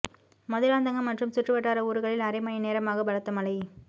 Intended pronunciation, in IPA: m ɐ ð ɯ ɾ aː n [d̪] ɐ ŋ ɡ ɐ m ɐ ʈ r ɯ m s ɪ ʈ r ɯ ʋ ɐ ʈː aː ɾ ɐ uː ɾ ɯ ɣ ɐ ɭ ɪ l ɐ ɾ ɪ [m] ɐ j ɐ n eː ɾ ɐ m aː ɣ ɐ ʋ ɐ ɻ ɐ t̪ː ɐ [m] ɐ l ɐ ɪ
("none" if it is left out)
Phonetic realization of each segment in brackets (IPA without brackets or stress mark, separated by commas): d̪, m, m